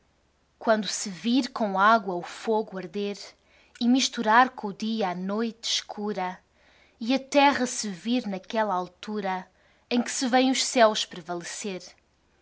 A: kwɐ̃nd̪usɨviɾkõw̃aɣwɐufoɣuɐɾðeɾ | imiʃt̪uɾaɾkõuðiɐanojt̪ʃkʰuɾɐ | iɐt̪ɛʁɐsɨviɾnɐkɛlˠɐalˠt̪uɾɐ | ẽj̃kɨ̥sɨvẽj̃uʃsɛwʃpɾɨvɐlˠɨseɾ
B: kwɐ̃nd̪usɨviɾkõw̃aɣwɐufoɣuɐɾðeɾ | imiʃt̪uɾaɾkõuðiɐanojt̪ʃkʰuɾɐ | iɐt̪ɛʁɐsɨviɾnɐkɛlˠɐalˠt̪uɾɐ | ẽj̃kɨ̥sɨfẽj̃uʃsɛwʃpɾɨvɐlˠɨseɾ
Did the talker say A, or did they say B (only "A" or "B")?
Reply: A